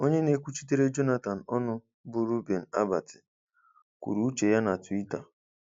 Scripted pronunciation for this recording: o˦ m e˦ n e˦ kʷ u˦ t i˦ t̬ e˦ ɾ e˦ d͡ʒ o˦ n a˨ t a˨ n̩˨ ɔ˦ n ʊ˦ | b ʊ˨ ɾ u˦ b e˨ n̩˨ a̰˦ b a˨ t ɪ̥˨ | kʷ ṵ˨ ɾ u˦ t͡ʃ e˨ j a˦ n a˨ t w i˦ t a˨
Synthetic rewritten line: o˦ ɲ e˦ n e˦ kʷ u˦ t͡ʃ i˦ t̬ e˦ ɾ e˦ d͡ʒ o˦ n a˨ t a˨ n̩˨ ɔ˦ n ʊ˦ | b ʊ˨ ɾ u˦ b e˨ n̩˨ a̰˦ b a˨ t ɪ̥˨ | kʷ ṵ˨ ɾ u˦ t͡ʃ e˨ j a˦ n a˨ t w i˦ t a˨